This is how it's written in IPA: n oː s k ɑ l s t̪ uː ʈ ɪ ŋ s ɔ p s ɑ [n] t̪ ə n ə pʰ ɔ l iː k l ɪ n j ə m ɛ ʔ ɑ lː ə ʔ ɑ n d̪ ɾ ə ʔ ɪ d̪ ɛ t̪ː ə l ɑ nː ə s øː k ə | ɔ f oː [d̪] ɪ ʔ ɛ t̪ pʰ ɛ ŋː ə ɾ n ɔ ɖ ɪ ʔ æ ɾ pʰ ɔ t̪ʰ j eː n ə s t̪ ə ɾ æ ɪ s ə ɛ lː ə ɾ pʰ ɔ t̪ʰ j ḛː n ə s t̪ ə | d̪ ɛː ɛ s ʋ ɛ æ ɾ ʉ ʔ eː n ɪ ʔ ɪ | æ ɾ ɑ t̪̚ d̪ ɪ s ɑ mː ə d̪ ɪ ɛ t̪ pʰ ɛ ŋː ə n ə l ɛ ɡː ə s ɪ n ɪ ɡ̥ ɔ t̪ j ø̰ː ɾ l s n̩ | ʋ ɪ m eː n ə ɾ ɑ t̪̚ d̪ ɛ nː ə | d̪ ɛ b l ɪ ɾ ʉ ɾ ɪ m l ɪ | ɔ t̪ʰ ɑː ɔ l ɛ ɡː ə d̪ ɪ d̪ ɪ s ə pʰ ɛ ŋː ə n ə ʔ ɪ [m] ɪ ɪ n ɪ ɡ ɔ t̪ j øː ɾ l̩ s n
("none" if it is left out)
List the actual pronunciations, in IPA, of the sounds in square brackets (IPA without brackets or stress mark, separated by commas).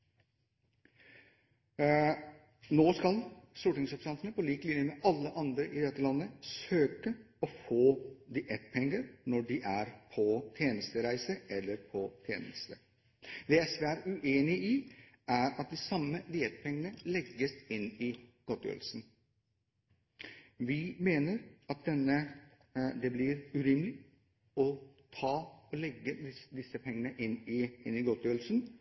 n, d̪, n